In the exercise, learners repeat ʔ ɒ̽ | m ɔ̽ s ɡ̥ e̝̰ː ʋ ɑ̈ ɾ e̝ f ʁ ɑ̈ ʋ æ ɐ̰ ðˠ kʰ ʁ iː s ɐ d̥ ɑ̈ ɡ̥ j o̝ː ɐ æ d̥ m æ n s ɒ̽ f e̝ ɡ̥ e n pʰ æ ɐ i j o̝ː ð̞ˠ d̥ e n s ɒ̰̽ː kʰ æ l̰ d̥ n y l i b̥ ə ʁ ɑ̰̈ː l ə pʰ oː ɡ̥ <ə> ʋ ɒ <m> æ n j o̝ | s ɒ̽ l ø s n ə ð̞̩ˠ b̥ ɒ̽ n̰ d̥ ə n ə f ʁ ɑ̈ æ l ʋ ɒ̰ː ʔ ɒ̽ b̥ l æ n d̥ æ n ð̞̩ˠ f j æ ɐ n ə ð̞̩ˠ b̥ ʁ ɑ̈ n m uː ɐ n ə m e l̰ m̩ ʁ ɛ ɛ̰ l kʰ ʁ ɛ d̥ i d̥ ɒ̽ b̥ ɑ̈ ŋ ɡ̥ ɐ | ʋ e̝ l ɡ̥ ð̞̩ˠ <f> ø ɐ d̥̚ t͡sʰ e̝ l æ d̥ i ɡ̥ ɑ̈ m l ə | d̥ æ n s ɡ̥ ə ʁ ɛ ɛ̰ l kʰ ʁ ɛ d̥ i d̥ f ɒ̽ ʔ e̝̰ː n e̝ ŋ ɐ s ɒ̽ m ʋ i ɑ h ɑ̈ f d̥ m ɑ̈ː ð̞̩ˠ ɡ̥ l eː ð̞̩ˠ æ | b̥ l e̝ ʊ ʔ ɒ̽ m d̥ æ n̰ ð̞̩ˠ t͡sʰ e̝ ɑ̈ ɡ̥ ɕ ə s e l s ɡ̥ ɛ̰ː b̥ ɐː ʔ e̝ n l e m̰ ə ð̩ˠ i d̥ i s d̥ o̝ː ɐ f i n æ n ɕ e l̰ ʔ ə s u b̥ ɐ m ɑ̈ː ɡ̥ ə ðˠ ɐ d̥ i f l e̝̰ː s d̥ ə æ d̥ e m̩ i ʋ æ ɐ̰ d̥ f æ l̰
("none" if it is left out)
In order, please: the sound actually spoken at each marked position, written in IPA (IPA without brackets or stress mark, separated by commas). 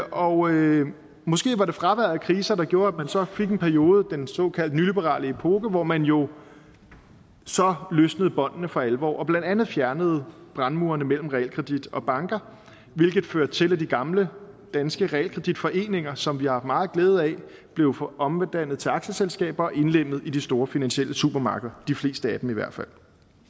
ə, m, f